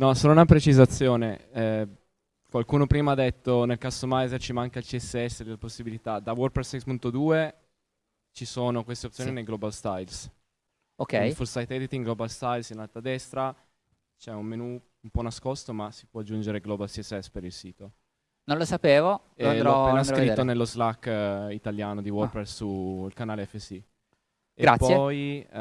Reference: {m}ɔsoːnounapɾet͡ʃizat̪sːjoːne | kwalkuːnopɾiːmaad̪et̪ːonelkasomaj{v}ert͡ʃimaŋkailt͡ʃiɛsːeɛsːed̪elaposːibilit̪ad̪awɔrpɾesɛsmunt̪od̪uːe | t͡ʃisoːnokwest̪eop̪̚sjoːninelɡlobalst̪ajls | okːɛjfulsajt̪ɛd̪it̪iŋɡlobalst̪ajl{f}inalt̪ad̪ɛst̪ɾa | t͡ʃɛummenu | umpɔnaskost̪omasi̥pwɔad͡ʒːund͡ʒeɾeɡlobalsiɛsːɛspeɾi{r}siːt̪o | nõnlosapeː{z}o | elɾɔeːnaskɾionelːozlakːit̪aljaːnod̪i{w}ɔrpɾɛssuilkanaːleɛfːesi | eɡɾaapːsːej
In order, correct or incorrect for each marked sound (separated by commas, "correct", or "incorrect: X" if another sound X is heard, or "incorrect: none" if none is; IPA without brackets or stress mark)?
incorrect: n, incorrect: z, incorrect: s, incorrect: l, incorrect: v, correct